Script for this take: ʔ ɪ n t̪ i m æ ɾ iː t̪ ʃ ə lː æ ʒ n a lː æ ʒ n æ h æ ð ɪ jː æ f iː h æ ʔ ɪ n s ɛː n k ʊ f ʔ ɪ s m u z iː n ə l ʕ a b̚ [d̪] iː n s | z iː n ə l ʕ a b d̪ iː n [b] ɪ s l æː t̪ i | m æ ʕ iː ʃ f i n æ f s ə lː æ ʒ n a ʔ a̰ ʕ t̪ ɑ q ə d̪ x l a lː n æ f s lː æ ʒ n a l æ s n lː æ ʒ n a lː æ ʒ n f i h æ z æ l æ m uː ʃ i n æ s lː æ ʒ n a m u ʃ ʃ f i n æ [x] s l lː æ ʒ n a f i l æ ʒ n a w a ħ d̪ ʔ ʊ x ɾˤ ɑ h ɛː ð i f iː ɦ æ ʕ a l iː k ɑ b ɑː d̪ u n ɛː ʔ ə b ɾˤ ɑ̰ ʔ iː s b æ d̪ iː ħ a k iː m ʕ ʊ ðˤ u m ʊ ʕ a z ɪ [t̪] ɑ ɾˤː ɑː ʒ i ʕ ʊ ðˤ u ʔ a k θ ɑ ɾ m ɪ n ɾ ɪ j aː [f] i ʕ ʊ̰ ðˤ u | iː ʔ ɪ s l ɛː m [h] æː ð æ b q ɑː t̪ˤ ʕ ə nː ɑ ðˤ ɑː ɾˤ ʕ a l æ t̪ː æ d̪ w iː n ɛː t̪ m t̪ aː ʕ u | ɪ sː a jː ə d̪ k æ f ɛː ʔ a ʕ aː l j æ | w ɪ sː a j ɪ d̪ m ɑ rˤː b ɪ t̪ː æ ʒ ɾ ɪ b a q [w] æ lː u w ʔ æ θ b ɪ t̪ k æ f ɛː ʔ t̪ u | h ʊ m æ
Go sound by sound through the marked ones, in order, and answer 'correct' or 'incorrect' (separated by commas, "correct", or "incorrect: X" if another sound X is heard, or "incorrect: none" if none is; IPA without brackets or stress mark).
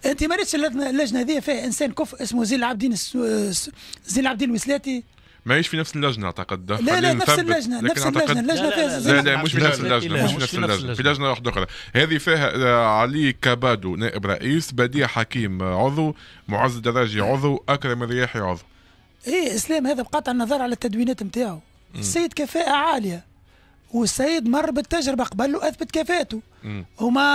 correct, incorrect: w, incorrect: f, incorrect: d̪, incorrect: ħ, correct, incorrect: b